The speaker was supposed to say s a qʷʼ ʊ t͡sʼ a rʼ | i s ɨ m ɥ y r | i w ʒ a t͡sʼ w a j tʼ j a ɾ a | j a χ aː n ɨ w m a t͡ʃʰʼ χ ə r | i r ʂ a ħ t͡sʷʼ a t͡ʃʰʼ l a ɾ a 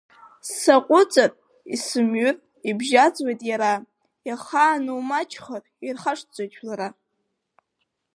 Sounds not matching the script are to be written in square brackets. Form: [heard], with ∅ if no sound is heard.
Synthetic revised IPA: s a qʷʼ ʊ t͡sʼ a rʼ | i s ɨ m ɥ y r | i [b] ʒ a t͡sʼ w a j tʼ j a ɾ a | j a χ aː n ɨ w m a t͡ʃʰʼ χ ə r | i r [χ] a [ʂ] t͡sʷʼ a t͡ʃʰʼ l a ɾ a